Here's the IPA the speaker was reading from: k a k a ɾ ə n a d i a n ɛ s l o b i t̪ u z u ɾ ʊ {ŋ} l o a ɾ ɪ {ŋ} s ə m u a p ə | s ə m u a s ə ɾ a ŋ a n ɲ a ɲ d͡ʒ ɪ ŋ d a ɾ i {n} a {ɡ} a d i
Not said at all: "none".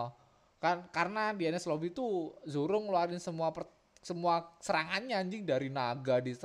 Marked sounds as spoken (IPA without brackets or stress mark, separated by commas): ŋ, n, n, ɡ